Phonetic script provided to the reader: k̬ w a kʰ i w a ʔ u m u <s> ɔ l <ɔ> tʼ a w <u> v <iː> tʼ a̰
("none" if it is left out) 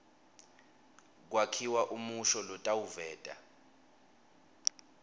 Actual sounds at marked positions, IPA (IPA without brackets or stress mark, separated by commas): ʃ, ɔ, u, ɛː